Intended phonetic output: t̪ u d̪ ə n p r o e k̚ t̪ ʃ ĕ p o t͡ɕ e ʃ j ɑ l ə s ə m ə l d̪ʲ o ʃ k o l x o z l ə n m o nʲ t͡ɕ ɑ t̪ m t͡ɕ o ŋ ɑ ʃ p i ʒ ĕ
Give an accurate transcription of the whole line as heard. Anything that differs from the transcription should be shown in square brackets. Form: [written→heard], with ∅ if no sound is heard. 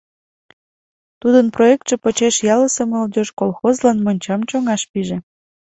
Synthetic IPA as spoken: t̪ u d̪ ə n p r o e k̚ t̪ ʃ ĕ p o t͡ɕ e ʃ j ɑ l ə s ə m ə l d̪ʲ o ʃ k o l x o z l [ə→ɑ] n m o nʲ t͡ɕ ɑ [t̪→∅] m t͡ɕ o ŋ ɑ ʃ p i ʒ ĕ